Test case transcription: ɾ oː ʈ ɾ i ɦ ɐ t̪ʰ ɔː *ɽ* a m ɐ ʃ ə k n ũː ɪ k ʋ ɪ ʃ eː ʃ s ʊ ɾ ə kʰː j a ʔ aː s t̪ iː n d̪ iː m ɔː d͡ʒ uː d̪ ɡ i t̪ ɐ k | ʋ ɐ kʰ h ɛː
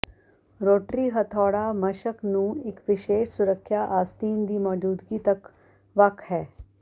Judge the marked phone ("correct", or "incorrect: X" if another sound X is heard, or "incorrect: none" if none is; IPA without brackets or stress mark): correct